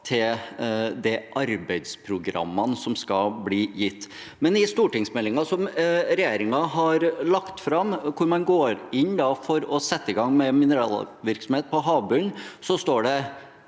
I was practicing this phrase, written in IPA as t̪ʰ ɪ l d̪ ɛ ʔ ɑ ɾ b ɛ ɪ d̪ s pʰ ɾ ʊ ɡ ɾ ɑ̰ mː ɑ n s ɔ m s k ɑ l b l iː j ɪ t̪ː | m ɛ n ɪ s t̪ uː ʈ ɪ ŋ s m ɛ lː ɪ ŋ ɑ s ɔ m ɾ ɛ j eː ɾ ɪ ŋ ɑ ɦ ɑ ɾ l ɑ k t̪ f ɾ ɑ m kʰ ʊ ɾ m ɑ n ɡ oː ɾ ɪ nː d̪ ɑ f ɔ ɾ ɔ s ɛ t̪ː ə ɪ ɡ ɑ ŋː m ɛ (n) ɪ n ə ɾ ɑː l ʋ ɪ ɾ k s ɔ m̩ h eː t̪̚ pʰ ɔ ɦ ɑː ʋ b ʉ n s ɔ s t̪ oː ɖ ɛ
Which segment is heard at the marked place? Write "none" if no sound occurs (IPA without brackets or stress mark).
m